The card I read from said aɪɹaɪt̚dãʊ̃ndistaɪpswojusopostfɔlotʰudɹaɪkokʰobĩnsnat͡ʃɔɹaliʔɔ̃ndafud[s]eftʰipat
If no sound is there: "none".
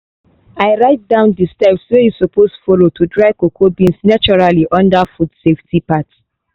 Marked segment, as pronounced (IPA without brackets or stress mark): s